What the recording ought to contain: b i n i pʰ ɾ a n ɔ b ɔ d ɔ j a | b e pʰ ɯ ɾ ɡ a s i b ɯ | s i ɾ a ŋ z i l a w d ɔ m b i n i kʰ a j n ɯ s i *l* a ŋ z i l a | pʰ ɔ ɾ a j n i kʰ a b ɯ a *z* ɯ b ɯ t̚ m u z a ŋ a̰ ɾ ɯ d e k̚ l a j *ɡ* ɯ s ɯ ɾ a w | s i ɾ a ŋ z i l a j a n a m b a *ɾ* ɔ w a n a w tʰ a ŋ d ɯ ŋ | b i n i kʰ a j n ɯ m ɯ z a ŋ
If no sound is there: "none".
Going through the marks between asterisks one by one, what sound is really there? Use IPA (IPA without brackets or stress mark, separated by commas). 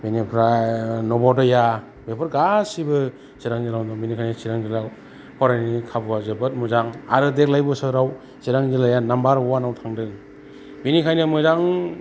ɾ, z, b, ɾ